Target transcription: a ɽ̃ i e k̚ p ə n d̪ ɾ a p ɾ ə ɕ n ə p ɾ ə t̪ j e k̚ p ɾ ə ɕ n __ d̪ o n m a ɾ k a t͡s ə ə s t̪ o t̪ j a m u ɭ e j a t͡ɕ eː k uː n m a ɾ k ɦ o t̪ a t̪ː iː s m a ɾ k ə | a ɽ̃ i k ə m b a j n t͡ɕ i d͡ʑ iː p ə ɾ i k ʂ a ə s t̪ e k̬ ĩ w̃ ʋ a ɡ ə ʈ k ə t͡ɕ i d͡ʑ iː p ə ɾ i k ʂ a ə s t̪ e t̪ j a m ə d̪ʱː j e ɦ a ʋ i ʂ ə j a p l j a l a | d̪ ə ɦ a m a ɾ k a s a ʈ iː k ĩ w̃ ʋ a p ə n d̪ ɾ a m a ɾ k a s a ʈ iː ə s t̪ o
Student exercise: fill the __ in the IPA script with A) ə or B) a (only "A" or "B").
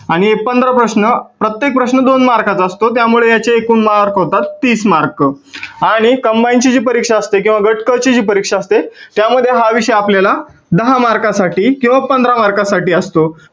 A